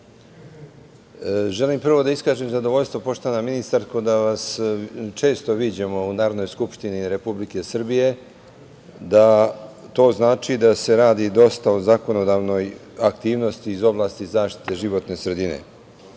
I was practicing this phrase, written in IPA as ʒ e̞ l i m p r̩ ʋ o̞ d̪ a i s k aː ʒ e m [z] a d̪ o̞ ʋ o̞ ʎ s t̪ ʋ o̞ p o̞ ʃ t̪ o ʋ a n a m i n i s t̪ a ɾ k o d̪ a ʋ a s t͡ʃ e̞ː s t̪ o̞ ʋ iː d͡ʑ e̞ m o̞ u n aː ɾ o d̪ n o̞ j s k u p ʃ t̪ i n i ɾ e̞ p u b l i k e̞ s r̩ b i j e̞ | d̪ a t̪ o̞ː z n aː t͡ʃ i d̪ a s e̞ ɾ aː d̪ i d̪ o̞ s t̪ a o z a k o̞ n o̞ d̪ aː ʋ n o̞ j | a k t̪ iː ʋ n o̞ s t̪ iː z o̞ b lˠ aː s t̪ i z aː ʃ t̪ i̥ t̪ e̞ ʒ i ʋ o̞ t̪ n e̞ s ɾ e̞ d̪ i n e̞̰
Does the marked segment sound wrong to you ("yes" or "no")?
no